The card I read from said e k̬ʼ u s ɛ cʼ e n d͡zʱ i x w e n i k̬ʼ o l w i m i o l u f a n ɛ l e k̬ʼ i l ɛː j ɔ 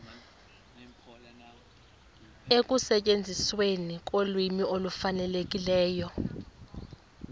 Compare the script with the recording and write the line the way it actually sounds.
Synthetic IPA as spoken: e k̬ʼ u s ɛ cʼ e n d͡zʱ i s w e n i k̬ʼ o l w i m i o l u f a n ɛ l e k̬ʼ i l ɛː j ɔ